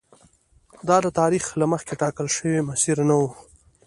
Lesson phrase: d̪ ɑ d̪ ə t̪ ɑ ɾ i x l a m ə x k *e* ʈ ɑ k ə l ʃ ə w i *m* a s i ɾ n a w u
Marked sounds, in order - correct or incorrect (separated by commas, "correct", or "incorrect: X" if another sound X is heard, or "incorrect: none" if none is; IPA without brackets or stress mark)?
correct, correct